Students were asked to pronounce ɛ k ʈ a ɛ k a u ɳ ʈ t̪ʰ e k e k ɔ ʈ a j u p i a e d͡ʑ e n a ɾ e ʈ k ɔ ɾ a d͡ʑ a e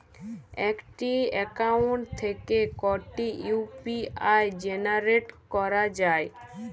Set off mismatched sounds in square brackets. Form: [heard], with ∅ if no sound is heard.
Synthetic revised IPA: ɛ k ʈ [i] ɛ k a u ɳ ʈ t̪ʰ e k e k ɔ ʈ [i] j u p i a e d͡ʑ e n a ɾ e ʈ k ɔ ɾ a d͡ʑ a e